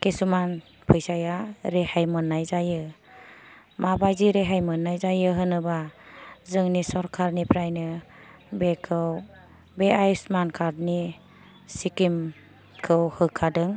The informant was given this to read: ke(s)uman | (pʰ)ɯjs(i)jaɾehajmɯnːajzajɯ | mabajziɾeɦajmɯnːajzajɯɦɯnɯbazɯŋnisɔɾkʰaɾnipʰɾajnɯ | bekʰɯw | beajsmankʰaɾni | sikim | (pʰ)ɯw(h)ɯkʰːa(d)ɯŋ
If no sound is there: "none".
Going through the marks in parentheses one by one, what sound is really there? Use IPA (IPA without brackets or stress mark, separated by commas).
s, pʰ, a, kʰ, h, d